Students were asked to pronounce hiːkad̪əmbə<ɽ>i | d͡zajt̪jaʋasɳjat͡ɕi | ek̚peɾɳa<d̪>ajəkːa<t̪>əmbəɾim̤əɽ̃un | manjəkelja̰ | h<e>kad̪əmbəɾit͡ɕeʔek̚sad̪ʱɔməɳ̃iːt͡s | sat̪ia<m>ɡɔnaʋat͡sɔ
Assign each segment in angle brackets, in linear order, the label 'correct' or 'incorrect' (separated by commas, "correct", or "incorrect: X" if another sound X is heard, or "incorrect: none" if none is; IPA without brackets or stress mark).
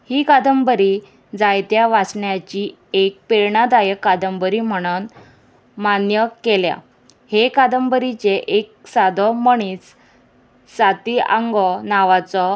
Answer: incorrect: ɾ, correct, incorrect: d̪, correct, incorrect: ŋ